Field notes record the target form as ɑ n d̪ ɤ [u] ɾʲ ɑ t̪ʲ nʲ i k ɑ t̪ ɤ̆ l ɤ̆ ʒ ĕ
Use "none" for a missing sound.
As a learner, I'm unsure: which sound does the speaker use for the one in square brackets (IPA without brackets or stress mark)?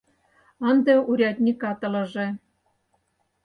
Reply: u